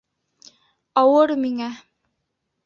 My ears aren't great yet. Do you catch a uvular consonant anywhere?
no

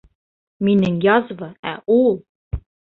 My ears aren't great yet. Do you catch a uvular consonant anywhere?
no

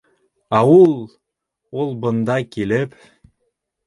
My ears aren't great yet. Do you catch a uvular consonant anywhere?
no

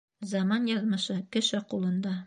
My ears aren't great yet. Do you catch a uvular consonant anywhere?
yes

